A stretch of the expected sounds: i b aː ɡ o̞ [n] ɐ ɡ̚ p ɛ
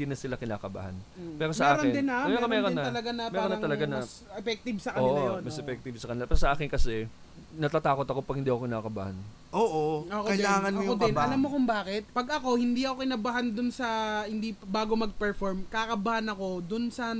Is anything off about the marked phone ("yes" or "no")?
yes